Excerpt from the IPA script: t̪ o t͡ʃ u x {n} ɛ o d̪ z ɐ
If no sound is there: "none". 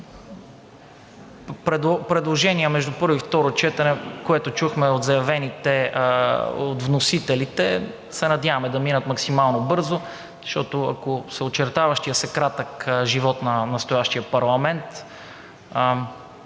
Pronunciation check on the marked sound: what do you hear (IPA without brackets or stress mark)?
m